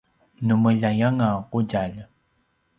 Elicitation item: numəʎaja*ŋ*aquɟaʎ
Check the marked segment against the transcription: correct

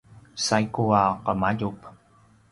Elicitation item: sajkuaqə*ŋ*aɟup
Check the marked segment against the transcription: incorrect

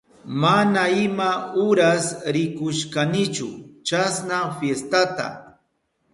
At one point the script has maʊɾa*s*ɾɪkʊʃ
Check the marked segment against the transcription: correct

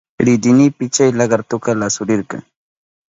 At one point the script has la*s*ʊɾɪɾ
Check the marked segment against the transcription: correct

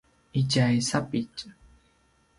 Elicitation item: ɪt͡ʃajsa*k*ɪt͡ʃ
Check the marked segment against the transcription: incorrect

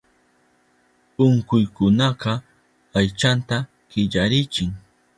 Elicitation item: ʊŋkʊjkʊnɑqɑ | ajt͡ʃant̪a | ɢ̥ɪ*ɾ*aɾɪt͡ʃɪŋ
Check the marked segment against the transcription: incorrect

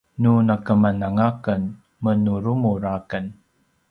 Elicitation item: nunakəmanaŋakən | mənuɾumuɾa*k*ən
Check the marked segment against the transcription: correct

